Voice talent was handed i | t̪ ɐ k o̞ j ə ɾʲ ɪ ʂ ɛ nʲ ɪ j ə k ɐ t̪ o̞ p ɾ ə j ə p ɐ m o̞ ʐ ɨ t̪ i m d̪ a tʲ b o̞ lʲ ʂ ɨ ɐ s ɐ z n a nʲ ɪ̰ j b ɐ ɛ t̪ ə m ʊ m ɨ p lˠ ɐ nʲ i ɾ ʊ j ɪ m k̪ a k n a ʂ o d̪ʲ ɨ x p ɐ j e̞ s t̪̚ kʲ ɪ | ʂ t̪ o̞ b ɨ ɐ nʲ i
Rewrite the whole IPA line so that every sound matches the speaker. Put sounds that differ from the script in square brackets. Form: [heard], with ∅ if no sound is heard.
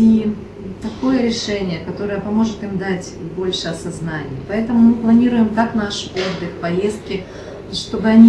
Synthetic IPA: i | t̪ ɐ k o̞ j ə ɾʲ ɪ ʂ ɛ nʲ ɪ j ə k ɐ t̪ o̞ [∅] ɾ ə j ə p ɐ m o̞ ʐ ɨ t̪ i m d̪ a tʲ b o̞ lʲ ʂ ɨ ɐ s ɐ z n a nʲ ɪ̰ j [p] ɐ ɛ t̪ ə m ʊ m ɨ p lˠ ɐ nʲ i ɾ ʊ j ɪ m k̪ a k n a ʂ o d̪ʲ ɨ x p ɐ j e̞ s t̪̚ kʲ ɪ | ʂ t̪ o̞ b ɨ ɐ nʲ i